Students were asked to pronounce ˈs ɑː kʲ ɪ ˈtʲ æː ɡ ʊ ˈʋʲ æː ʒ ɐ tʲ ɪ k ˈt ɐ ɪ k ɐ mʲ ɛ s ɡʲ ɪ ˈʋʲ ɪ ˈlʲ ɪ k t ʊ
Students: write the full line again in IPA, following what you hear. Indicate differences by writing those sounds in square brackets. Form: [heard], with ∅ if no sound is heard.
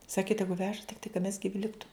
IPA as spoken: ˈs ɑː kʲ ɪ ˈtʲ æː ɡ ʊ ˈʋʲ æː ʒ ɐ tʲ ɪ k ˈt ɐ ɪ k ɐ mʲ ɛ s ɡʲ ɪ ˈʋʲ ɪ ˈlʲ ɪ k t ʊ

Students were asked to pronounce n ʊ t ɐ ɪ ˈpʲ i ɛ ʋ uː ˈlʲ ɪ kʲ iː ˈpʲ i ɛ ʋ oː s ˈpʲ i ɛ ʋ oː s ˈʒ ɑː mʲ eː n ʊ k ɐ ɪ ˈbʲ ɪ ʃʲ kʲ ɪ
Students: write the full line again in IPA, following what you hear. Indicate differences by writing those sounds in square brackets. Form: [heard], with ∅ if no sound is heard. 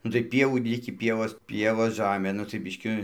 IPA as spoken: n ʊ t ɐ ɪ ˈpʲ i ɛ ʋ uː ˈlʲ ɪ kʲ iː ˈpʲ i ɛ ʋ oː s ˈpʲ i ɛ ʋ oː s ˈʒ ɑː mʲ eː n ʊ [t] ɐ ɪ ˈbʲ ɪ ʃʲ kʲ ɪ

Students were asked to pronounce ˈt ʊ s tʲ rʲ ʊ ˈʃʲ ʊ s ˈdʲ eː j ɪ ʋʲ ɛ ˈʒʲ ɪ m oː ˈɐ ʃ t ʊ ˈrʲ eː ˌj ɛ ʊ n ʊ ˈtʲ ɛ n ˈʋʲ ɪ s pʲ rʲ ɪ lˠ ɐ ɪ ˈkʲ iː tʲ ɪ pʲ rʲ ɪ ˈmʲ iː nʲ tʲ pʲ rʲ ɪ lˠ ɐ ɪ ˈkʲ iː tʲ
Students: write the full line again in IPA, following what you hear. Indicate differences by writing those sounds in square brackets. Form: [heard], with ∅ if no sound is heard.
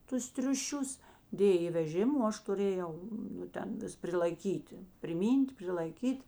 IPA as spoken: ˈt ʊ s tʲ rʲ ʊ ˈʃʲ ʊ s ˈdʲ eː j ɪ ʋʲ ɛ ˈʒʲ ɪ m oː ˈɐ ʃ t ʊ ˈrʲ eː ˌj ɛ ʊ n ʊ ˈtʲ ɛ n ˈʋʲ ɪ s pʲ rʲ ɪ lˠ ɐ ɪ ˈkʲ iː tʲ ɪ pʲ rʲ ɪ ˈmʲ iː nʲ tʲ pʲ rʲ ɪ lˠ ɐ ɪ ˈkʲ iː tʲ

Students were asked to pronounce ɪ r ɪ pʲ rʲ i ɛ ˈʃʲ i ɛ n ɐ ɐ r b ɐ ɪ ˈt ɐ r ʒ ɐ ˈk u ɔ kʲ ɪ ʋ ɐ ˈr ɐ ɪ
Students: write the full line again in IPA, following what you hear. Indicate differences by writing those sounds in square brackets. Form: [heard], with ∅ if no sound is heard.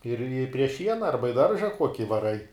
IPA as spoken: ɪ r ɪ pʲ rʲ i ɛ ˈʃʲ i ɛ n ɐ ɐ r b ɐ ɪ [ˈd] ɐ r ʒ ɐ ˈk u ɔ kʲ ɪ ʋ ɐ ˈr ɐ ɪ

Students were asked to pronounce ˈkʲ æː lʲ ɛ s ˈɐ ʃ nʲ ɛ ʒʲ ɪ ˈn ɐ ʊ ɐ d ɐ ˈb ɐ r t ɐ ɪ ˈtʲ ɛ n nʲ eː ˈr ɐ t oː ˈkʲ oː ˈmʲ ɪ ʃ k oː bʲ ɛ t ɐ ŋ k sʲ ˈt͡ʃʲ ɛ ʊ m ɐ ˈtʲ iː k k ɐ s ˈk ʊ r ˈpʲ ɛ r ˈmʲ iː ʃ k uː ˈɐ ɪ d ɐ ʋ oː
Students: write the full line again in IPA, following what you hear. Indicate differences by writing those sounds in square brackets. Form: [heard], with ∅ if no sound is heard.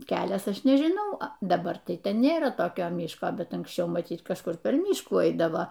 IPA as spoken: ˈkʲ æː lʲ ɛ s ˈɐ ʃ nʲ ɛ ʒʲ ɪ ˈn ɐ ʊ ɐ d ɐ ˈb ɐ r t ɐ ɪ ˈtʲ ɛ n nʲ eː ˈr ɐ t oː ˈkʲ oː ˈmʲ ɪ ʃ k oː bʲ ɛ t ɐ ŋ k sʲ ˈt͡ʃʲ ɛ ʊ m ɐ ˈtʲ iː [t] k ɐ [ʃ] ˈk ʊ r ˈpʲ ɛ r ˈmʲ iː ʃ k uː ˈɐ ɪ d ɐ ʋ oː

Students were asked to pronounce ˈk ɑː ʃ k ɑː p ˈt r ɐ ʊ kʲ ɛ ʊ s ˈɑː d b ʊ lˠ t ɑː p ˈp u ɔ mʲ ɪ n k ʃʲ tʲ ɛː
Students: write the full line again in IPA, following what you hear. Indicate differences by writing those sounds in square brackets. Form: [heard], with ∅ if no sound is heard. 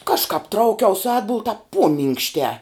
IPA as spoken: ˈk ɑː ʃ k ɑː p ˈt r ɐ ʊ kʲ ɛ ʊ s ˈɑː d b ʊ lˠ t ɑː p ˈp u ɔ mʲ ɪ [ŋ] k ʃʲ tʲ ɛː

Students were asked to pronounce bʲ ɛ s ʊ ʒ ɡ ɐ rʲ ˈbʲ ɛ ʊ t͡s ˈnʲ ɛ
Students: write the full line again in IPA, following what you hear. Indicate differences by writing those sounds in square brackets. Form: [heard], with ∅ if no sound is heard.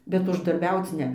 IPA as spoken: bʲ ɛ [t] ʊ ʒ [d] ɐ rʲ ˈbʲ ɛ ʊ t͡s ˈnʲ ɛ

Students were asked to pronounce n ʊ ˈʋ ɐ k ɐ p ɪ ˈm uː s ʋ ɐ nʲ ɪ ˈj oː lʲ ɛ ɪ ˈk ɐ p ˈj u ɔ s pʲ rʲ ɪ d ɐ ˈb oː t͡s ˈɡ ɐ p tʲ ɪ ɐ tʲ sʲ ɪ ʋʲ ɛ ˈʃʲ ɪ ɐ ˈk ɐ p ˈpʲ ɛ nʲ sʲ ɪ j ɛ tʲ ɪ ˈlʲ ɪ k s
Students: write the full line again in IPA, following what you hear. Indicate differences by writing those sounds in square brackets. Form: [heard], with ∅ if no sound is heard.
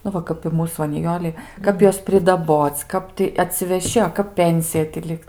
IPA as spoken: n ʊ ˈʋ ɐ k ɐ p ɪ ˈm uː s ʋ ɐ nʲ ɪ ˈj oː lʲ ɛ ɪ ˈk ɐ p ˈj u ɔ s pʲ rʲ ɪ d ɐ ˈb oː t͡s [ˈk] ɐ p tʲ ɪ ɐ tʲ sʲ ɪ ʋʲ ɛ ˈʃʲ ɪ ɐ ˈk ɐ p ˈpʲ ɛ nʲ sʲ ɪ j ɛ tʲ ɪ ˈlʲ ɪ k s

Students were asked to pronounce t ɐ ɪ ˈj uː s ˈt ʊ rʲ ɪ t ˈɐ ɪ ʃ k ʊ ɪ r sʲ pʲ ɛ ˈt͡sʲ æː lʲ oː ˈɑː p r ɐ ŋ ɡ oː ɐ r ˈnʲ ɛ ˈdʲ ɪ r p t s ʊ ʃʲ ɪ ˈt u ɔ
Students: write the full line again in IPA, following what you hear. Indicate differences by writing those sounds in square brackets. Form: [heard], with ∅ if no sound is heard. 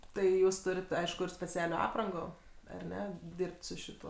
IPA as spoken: t ɐ ɪ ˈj uː s ˈt ʊ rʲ ɪ t ˈɐ ɪ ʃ k ʊ ɪ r sʲ pʲ ɛ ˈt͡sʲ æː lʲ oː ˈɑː p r ɐ ŋ ɡ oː ɐ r ˈnʲ ɛ ˈdʲ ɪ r p t s ʊ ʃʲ ɪ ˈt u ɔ

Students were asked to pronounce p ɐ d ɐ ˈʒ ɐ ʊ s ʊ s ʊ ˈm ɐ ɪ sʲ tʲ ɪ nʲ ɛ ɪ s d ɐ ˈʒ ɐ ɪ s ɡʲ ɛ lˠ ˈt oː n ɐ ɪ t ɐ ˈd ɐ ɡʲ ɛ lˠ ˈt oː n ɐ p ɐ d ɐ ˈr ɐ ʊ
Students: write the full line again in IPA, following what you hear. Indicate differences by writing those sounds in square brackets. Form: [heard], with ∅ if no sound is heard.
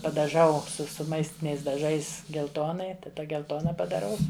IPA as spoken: p ɐ d ɐ ˈʒ ɐ ʊ s ʊ s ʊ ˈm ɐ ɪ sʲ tʲ ɪ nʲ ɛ ɪ s d ɐ ˈʒ ɐ ɪ s ɡʲ ɛ lˠ ˈt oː n ɐ ɪ t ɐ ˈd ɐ ɡʲ ɛ lˠ ˈt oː n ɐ p ɐ d ɐ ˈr ɐ ʊ

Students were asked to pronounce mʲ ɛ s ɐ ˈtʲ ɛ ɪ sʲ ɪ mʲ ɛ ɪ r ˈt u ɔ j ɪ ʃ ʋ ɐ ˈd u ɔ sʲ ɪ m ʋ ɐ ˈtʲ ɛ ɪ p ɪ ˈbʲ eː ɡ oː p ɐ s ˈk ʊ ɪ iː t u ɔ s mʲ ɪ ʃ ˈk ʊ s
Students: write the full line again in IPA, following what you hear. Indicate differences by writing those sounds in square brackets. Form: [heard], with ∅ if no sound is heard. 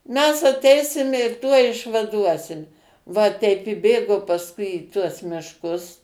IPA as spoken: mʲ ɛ s ɐ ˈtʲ ɛ ɪ sʲ ɪ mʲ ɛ ɪ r ˈt u ɔ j ɪ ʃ ʋ ɐ ˈd u ɔ sʲ ɪ m ʋ ɐ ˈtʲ ɛ ɪ p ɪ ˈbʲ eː ɡ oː p ɐ s ˈk ʊ ɪ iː t u ɔ s mʲ ɪ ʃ ˈk ʊ s

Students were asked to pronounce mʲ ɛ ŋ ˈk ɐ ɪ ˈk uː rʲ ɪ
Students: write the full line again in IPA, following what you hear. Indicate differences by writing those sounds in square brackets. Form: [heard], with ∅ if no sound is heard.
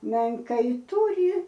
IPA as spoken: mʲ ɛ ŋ ˈk ɐ ɪ [ˈt] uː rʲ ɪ

